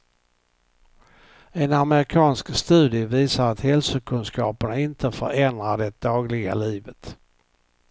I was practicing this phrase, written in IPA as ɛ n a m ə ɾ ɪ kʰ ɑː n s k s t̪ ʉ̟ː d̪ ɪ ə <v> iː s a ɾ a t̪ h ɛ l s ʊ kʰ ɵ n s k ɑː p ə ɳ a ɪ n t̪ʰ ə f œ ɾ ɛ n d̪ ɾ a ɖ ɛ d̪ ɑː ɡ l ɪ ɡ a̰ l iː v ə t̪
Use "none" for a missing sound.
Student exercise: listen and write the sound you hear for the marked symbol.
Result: v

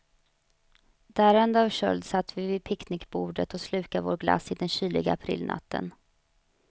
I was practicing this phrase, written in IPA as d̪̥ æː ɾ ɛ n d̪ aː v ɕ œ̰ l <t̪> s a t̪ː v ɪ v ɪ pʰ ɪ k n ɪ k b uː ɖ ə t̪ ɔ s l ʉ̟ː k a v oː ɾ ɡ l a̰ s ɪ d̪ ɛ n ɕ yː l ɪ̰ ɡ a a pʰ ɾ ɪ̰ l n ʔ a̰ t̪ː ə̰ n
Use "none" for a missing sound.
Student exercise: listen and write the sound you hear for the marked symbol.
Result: d̪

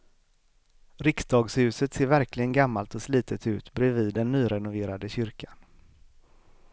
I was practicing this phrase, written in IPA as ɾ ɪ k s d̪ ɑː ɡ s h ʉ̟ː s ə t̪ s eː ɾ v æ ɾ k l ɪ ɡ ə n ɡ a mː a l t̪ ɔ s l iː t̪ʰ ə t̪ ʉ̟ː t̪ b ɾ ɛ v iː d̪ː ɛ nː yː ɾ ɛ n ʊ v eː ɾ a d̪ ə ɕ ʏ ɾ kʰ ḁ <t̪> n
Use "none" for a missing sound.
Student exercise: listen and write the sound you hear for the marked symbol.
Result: none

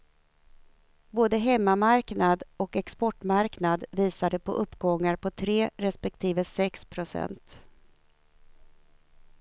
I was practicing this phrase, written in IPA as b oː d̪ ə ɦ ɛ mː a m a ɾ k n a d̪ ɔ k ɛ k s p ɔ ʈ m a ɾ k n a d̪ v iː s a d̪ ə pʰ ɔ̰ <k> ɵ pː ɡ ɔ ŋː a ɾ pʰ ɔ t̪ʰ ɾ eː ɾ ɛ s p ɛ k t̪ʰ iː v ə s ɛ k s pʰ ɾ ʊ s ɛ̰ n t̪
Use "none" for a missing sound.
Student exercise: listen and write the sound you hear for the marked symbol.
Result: ʔ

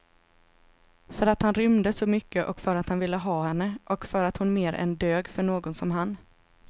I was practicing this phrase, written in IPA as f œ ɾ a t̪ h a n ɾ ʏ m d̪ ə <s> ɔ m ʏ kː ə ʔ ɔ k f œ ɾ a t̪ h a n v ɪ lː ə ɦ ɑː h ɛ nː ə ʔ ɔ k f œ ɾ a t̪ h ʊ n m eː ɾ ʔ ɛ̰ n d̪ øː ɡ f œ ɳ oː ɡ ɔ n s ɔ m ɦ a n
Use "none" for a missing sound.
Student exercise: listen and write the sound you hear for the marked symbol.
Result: s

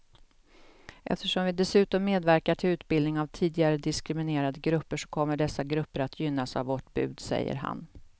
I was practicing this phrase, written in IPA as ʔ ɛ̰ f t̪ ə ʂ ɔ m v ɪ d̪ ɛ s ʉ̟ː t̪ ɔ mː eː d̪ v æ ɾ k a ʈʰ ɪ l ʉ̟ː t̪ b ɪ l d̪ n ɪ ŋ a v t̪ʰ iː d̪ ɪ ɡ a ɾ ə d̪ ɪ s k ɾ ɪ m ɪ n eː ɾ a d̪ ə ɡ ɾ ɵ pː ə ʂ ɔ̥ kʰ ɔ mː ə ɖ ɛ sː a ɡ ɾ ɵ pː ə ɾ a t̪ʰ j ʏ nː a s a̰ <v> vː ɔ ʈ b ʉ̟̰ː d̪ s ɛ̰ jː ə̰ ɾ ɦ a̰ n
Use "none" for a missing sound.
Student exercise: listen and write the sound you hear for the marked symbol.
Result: v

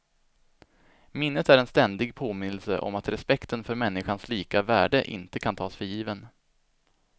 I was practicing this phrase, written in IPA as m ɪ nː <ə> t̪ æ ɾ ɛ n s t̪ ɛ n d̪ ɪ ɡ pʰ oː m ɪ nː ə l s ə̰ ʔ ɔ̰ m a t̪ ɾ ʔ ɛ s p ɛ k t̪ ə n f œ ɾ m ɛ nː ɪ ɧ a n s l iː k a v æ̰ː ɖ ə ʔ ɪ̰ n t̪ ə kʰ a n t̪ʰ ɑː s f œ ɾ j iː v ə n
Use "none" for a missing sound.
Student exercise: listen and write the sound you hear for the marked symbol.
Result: ə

